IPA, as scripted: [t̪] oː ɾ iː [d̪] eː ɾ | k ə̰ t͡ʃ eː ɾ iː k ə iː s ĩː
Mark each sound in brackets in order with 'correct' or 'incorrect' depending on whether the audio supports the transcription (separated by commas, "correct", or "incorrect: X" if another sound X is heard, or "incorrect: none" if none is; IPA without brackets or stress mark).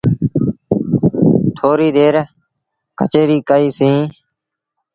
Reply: incorrect: t̪ʰ, correct